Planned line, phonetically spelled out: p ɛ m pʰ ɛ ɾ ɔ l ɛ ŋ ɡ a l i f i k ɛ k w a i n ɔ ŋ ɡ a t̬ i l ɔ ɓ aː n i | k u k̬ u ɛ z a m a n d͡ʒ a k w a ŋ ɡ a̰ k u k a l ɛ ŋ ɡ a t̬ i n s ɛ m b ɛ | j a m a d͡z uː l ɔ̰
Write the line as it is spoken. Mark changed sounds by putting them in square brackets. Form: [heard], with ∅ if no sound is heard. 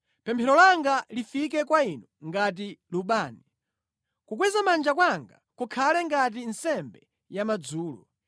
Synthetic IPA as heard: p ɛ m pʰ ɛ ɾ ɔ l [a] ŋ ɡ a l i f i k ɛ k w a i n ɔ ŋ ɡ a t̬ i l [u] ɓ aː n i | k u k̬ [w] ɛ z a m a n d͡ʒ a k w a ŋ ɡ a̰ k u [kʰ] a l ɛ ŋ ɡ a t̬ i n s ɛ m b ɛ | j a m a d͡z uː l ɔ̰